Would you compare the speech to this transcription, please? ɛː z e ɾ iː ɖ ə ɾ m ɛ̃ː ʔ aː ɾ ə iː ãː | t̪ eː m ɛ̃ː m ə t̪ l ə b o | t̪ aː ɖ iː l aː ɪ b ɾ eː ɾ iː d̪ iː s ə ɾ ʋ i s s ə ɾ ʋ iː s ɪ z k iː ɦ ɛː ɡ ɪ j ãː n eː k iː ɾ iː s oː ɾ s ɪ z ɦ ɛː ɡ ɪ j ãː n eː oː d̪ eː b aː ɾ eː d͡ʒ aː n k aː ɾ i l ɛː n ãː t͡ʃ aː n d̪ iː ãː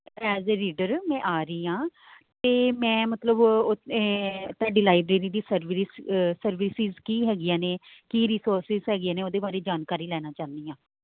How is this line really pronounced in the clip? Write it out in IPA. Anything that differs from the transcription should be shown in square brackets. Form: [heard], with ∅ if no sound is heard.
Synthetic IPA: ɛː z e ɾ iː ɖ ə ɾ m ɛ̃ː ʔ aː ɾ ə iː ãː | t̪ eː m ɛ̃ː m ə t̪ l ə b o | t̪ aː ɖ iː l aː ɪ b ɾ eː ɾ iː d̪ iː s ə ɾ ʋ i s s ə ɾ ʋ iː s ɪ z k iː ɦ ɛː ɡ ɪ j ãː n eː k iː ɾ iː s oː ɾ s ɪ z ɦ ɛː ɡ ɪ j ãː n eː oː d̪ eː b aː ɾ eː d͡ʒ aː n k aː ɾ [iː] l ɛː n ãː t͡ʃ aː n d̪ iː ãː

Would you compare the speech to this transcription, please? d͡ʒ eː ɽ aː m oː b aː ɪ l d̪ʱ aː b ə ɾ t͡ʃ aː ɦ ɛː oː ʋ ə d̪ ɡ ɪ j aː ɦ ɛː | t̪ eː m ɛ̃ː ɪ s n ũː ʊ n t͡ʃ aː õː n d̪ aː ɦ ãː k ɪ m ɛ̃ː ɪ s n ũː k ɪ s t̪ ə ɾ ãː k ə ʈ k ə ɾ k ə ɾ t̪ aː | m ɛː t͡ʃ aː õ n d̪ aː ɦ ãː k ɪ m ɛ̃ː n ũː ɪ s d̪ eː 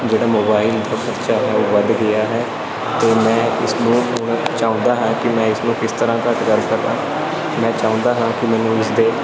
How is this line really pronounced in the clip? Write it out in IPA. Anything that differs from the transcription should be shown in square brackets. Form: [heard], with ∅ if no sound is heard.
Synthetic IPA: d͡ʒ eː ɽ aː m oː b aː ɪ l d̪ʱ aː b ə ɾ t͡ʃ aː ɦ ɛː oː ʋ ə d̪ ɡ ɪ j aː ɦ ɛː | t̪ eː m ɛ̃ː ɪ s n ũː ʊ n t͡ʃ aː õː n d̪ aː ɦ ãː k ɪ m ɛ̃ː ɪ s n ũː k ɪ s t̪ ə ɾ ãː k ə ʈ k ə ɾ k ə ɾ [d̪] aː | m [ɛ̃ː] t͡ʃ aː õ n d̪ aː ɦ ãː k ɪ m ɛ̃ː n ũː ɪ s d̪ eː

